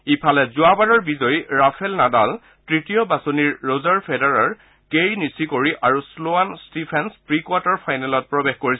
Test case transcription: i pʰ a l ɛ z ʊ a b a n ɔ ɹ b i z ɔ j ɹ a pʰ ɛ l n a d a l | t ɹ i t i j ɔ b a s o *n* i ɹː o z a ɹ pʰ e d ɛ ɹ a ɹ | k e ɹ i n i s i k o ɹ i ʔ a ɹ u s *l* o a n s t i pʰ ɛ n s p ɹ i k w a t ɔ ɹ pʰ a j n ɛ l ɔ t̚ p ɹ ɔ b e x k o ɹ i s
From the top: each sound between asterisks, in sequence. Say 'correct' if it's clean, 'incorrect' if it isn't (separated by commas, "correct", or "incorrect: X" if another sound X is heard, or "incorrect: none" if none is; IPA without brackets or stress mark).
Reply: correct, correct